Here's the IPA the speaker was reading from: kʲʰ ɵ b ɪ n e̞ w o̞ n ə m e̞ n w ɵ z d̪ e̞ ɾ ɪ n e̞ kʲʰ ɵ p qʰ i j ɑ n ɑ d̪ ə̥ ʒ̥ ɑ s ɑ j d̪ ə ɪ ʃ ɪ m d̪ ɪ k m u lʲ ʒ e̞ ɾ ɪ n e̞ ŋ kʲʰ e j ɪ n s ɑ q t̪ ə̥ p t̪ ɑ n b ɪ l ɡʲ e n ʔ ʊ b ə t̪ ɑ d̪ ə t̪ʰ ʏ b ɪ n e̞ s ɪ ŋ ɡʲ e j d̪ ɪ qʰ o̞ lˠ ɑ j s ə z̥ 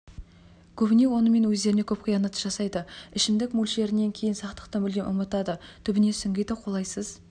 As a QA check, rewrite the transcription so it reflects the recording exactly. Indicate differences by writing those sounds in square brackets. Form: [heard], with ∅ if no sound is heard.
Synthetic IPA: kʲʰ ɵ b ɪ n e̞ w o̞ n ə m e̞ n w ɵ z d̪ e̞ ɾ ɪ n e̞ kʲʰ ɵ p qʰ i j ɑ n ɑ [t̪] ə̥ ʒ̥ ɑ s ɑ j d̪ ə ɪ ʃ ɪ m d̪ ɪ k m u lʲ [ʃ] e̞ ɾ ɪ n e̞ ŋ kʲʰ e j ɪ n s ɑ q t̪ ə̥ [q] t̪ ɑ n b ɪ l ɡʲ e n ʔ ʊ [m] ə t̪ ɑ d̪ ə t̪ʰ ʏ b ɪ n e̞ s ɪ ŋ ɡʲ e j d̪ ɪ qʰ o̞ lˠ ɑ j s ə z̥